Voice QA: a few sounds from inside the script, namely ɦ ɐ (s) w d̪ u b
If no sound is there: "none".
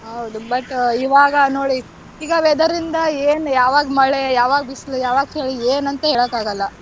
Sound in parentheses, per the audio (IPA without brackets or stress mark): none